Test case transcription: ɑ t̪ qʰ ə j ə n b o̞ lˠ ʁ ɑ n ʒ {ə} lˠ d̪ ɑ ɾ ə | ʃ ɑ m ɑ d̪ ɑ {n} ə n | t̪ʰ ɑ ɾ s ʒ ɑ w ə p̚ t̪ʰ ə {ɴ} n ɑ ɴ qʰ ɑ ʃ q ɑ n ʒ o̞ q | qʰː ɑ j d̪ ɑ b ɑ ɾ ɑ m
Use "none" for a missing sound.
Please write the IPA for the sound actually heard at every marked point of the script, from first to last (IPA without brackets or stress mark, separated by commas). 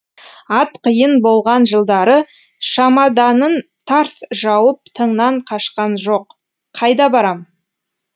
ə, n, ɴ